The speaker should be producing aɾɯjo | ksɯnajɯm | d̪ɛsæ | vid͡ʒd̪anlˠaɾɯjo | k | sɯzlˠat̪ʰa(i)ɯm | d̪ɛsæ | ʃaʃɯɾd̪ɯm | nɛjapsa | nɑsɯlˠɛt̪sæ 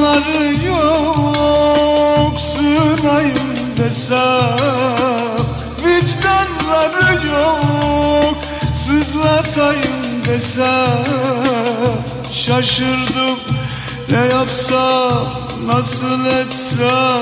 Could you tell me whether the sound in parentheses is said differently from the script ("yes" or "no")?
yes